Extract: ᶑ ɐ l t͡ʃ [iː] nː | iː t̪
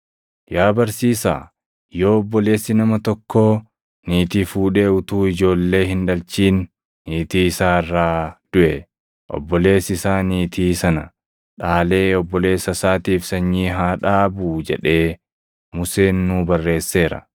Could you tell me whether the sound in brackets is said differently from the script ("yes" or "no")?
no